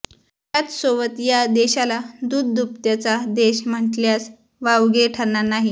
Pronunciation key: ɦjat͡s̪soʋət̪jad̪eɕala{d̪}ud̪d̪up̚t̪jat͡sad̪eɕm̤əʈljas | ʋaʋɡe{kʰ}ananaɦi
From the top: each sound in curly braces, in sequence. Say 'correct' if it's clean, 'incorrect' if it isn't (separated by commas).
correct, incorrect